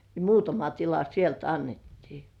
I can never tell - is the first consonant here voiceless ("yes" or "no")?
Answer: no